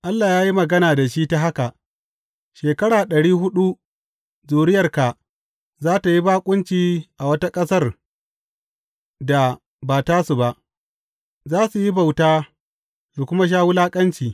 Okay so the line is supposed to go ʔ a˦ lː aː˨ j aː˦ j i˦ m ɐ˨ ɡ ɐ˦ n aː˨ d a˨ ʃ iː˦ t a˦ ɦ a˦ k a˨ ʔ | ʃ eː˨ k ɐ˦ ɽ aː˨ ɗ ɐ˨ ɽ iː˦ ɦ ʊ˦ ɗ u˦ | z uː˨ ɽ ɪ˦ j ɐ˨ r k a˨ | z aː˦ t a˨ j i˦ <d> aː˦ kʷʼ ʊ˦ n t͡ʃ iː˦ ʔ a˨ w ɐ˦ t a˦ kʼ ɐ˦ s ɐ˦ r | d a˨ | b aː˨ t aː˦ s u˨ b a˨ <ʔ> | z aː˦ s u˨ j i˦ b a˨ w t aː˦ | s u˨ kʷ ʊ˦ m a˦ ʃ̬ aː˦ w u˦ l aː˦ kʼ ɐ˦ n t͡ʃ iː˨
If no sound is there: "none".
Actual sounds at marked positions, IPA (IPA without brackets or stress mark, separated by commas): b, ʔ